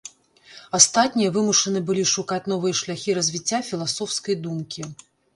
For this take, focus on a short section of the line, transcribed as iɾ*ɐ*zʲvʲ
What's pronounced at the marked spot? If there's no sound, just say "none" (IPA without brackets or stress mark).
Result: ɐ